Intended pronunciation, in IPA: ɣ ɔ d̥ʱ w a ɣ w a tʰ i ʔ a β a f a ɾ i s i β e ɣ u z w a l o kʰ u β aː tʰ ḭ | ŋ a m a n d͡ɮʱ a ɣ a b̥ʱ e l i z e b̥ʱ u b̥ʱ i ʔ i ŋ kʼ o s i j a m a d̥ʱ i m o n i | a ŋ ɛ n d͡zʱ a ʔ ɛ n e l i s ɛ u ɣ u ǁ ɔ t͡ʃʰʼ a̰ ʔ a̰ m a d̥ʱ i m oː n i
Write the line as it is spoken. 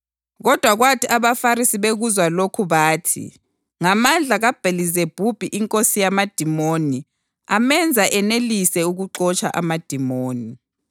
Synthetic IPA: ɣ ɔ d̥ʱ w a ɣ w a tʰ i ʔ a β a f a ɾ i s i β e ɣ u z w a l o kʰ u β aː tʰ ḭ | ŋ a m a n d͡ɮʱ a ɣ a b̥ʱ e l i z e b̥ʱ u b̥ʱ i ʔ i ŋ kʼ o s i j a m a d̥ʱ i m o n i | a m ɛ n d͡zʱ a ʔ ɛ n e l i s ɛ u ɣ u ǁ ɔ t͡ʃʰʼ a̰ ʔ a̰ m a d̥ʱ i m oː n i